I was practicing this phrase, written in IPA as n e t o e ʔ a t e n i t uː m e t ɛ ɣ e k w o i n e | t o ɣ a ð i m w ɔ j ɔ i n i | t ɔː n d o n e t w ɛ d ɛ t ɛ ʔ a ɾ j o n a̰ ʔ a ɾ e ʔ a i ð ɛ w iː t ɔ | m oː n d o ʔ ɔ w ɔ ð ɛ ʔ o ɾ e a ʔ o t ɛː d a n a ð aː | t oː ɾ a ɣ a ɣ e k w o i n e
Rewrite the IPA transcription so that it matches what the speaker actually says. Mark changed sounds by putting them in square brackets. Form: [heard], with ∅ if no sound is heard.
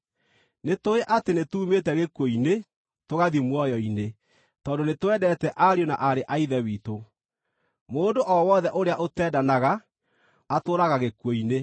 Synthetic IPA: n e t o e ʔ a t e n [e] t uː m e t ɛ ɣ e k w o i n e | t o ɣ a ð i m w ɔ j ɔ i n [e] | t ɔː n d o n e t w ɛ d ɛ t ɛ ʔ a ɾ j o n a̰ ʔ a ɾ e ʔ a i ð ɛ w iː t [o] | m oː n d o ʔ ɔ w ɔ ð ɛ ʔ o ɾ e a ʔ o t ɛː d a n a [ɣ] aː | t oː ɾ a ɣ a ɣ e k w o i n e